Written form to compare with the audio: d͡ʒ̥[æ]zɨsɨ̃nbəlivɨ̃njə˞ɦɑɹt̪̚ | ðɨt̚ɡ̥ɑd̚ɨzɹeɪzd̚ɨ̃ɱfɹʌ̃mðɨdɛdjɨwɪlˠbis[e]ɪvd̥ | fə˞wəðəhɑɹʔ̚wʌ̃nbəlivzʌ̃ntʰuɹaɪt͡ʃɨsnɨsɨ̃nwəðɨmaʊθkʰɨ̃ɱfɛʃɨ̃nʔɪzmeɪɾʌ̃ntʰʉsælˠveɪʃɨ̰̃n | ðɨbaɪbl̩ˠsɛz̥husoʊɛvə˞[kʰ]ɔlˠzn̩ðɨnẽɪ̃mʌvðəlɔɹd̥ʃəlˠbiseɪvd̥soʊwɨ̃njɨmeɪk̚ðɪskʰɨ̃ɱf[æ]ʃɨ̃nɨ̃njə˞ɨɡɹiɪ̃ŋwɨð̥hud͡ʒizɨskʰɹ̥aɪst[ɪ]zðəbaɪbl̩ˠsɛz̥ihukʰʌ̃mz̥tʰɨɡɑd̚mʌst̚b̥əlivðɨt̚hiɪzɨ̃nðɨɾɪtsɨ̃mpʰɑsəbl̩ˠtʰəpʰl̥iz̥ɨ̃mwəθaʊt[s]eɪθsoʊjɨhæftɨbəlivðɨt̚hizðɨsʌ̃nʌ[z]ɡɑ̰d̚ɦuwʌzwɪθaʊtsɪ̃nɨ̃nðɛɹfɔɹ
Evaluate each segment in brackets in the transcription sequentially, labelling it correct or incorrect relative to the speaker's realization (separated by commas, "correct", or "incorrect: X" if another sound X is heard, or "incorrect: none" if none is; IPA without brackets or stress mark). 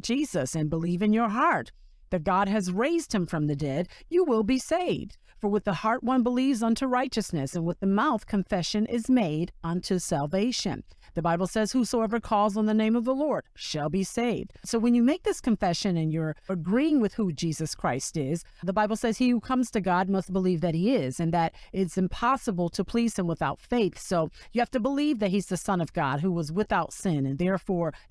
incorrect: i, correct, correct, incorrect: ɛ, correct, incorrect: f, incorrect: v